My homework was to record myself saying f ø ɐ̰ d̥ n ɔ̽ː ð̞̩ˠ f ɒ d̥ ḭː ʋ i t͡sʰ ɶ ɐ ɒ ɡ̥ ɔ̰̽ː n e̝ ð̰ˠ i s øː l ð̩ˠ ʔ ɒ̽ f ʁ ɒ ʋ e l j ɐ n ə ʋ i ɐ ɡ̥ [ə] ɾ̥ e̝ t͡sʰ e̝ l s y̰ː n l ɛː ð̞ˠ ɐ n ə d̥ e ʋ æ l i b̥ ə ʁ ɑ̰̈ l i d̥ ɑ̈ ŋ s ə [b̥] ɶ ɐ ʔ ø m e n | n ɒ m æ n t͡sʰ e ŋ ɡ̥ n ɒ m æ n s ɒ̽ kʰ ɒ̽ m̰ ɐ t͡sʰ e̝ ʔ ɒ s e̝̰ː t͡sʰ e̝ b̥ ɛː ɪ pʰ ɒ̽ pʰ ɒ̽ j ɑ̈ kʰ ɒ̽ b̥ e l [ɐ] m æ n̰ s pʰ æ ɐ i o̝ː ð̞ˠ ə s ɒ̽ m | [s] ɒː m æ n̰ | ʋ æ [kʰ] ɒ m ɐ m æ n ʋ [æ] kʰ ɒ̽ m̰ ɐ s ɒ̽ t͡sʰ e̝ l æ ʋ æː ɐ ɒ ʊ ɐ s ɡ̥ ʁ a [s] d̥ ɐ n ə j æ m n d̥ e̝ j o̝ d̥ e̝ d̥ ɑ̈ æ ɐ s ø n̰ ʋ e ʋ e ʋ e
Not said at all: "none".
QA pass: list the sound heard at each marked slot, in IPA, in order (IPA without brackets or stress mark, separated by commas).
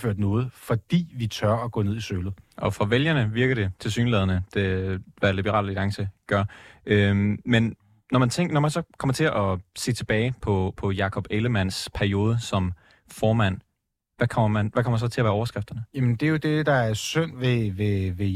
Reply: ɐ, ɡ̥, ə, f, kʰ, æ, f